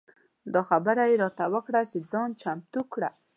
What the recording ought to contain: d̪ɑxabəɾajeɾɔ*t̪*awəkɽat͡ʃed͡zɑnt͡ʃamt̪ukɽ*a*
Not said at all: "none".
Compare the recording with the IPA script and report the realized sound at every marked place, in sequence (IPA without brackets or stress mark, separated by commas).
t̪, a